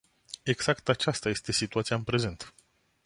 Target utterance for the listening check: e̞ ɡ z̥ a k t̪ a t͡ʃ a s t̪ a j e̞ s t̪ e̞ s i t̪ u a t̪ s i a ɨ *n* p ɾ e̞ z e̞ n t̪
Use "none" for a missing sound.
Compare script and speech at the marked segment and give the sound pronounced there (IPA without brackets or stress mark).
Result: n